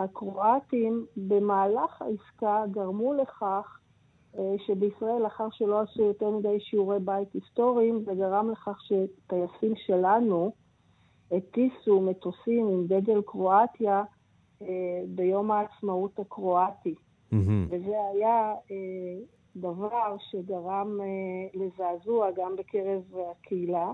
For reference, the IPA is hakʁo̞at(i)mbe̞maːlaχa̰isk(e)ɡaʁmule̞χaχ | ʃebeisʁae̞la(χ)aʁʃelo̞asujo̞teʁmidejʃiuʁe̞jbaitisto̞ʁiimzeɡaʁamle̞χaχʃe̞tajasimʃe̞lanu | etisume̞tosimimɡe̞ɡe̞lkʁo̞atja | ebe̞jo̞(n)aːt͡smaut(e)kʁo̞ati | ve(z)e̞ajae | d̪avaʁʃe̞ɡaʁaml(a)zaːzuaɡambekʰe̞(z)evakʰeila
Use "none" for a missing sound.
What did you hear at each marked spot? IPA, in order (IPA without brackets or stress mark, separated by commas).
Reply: i, a, χ, m, a, z, e, ʁ